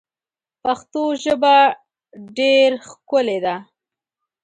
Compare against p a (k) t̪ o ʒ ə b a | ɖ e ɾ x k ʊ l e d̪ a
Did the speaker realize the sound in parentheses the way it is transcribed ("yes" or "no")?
no